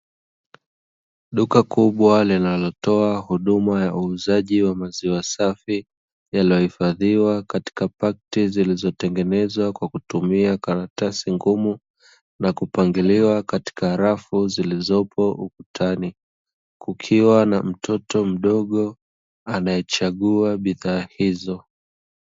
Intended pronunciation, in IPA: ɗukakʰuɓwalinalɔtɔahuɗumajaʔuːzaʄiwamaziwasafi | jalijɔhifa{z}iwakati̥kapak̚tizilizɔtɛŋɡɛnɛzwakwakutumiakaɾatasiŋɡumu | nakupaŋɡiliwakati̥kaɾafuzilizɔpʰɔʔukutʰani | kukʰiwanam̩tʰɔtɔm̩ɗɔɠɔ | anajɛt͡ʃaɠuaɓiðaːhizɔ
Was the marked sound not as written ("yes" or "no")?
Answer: yes